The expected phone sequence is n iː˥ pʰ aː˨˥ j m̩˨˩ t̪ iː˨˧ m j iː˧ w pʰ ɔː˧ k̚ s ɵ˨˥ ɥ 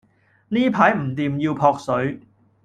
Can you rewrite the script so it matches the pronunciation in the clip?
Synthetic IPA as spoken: n iː˥ pʰ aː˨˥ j m̩˨˩ t̪ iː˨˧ m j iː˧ w pʰ ɔː˧ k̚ s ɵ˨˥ ɥ